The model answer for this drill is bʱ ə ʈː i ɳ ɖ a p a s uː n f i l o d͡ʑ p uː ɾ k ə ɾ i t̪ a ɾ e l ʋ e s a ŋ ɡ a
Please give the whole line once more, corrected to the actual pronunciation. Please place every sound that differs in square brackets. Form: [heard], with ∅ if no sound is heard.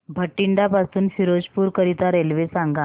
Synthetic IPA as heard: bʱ ə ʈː i ɳ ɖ a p a s uː n f i [ɾ] o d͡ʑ p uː ɾ k ə ɾ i t̪ a ɾ e l ʋ e s a ŋ ɡ a